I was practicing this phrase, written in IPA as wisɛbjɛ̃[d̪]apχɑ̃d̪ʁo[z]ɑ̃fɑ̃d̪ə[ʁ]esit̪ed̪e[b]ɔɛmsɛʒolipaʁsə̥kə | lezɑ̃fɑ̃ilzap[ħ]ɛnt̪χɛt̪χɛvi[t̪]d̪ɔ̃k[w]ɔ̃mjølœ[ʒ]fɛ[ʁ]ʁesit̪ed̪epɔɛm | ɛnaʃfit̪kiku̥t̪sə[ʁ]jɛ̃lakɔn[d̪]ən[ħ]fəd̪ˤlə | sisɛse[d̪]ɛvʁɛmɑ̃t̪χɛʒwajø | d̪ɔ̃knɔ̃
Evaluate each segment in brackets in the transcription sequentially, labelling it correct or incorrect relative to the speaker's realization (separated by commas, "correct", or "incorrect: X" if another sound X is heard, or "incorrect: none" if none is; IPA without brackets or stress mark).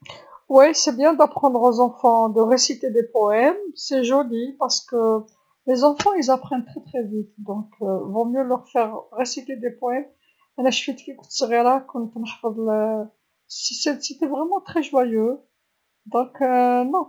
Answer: correct, correct, correct, incorrect: p, incorrect: χ, correct, incorrect: v, incorrect: ʁ, correct, correct, incorrect: t̪, correct, incorrect: t̪